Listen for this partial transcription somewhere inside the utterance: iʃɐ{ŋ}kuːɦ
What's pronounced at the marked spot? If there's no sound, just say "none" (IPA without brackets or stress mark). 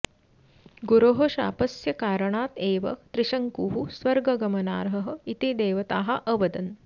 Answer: ŋ